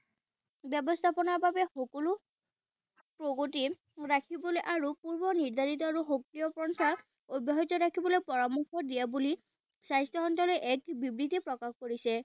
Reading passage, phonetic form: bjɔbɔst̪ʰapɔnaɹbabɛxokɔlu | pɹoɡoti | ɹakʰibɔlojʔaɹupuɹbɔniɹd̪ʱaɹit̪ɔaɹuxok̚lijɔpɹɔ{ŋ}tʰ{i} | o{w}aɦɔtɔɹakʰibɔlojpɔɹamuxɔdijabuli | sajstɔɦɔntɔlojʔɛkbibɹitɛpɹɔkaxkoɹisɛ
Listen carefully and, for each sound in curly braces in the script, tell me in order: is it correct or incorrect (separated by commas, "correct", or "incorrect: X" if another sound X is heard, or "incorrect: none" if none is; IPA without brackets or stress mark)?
incorrect: n, incorrect: a, incorrect: b